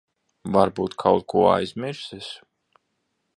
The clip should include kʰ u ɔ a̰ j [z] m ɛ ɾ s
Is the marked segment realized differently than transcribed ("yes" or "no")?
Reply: no